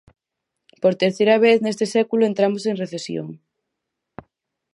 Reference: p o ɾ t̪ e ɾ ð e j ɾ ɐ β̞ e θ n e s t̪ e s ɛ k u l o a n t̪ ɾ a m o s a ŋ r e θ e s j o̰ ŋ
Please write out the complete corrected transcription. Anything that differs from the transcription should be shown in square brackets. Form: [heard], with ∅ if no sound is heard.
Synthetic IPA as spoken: p o ɾ t̪ e ɾ [θ] e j ɾ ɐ β̞ e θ n e s t̪ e s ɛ k u l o [e] n t̪ ɾ a m o s [e] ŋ r e θ e s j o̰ ŋ